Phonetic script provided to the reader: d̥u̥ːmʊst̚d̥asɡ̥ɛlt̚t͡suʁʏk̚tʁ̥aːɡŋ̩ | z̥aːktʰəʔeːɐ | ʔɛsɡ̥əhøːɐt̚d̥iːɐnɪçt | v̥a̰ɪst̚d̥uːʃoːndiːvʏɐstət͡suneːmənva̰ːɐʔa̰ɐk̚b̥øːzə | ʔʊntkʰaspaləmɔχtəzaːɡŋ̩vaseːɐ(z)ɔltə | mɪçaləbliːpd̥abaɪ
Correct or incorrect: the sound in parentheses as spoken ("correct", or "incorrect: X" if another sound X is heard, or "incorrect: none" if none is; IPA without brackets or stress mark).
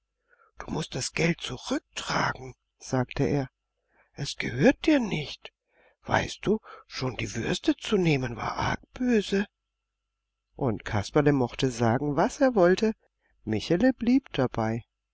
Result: incorrect: v